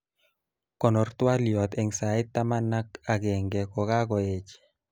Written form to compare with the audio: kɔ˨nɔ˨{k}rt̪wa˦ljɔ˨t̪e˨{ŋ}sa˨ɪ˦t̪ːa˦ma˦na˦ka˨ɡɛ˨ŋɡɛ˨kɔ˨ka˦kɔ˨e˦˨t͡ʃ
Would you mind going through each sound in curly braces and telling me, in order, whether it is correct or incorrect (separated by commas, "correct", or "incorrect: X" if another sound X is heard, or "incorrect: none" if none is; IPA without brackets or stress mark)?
incorrect: none, correct